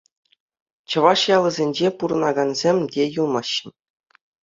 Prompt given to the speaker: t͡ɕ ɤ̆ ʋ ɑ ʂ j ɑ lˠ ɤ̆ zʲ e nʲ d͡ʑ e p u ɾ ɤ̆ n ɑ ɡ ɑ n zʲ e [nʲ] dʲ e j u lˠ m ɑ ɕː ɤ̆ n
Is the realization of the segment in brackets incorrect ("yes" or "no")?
yes